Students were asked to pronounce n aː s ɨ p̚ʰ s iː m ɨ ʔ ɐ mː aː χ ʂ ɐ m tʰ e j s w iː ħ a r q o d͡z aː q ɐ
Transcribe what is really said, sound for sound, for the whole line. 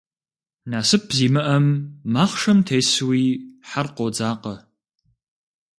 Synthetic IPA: n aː s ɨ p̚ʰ z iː m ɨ ʔ ɐ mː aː χ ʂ ɐ m tʰ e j s w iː ħ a r q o d͡z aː q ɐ